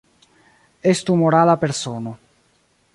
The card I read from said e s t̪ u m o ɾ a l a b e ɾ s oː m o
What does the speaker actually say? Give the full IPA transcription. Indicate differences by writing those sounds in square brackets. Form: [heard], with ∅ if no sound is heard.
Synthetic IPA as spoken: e s t̪ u m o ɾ a l a [p] e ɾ s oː [n] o